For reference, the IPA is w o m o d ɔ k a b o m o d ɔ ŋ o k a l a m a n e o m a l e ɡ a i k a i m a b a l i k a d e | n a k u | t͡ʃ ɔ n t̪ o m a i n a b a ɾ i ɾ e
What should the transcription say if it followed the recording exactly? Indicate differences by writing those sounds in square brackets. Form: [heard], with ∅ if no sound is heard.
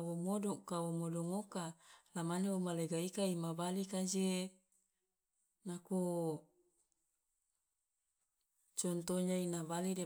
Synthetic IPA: w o m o d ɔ k a [w] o m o d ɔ ŋ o k a l a m a n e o m a l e ɡ a i k a i m a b a l i k a [d͡ʒ] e | n a k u | t͡ʃ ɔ n t̪ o [ɲ] a i n a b a [l] i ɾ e